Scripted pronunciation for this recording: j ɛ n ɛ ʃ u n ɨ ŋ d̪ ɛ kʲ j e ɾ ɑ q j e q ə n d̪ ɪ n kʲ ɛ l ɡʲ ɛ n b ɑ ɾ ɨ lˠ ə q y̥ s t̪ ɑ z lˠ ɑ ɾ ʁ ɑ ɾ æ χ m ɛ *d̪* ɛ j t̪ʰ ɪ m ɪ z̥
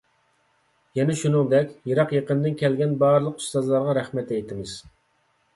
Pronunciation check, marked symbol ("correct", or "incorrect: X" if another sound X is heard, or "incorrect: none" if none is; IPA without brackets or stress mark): incorrect: t̪